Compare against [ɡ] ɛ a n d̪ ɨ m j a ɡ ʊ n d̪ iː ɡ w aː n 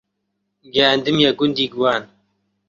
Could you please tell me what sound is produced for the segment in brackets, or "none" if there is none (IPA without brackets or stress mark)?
ɡ